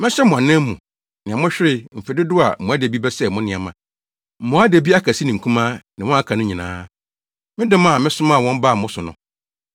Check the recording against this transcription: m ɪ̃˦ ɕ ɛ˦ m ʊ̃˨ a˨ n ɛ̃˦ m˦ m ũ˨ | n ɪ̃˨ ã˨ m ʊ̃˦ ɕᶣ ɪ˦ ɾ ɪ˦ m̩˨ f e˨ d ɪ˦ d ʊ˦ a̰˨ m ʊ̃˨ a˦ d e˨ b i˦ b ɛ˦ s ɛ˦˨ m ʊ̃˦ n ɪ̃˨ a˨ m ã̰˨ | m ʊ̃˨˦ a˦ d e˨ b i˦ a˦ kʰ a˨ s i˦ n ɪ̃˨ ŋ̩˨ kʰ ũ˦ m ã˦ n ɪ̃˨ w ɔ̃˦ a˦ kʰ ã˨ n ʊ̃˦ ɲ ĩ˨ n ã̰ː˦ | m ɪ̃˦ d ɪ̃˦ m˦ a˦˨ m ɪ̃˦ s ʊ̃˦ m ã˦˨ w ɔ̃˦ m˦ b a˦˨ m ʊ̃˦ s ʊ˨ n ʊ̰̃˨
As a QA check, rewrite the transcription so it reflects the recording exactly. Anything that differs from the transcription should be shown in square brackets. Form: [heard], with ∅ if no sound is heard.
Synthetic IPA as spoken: m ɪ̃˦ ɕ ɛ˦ m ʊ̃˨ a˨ n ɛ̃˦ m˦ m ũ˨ | n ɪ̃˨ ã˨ m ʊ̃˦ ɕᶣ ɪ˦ ɾ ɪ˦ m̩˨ f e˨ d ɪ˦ d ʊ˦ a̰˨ m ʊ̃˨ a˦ d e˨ b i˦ b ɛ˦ s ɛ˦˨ m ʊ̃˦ n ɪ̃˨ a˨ m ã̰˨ | m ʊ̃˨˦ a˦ d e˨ b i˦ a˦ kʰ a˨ s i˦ n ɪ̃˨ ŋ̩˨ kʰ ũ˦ m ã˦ n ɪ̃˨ w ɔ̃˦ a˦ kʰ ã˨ n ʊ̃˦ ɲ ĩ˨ n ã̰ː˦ | m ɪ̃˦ d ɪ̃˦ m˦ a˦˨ m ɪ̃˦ s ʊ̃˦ m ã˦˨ w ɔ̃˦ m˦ b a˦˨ m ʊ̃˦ s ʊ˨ n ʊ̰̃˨

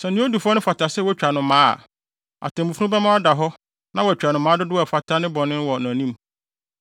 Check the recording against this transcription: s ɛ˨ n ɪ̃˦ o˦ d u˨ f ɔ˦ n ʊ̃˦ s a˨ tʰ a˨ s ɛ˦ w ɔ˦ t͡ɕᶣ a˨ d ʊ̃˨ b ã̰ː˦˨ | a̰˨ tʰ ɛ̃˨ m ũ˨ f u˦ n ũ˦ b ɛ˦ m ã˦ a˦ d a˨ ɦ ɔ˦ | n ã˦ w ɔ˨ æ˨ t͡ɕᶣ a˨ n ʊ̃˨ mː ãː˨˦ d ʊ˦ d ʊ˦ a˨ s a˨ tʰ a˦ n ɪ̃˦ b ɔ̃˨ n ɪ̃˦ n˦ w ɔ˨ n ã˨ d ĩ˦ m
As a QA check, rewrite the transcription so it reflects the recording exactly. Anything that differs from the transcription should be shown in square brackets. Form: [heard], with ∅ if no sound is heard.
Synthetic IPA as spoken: s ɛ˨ n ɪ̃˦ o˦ d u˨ f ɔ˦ n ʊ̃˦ [f] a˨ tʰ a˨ s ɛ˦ w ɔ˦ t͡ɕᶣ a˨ [n] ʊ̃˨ [m] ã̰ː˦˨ | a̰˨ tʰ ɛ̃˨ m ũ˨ f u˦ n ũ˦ b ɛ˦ m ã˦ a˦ d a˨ ɦ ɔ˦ | n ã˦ w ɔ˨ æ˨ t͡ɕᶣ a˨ n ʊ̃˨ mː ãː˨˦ d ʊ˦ d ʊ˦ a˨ [f] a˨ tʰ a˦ n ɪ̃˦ b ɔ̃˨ n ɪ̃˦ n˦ w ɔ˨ n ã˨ [n] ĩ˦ m

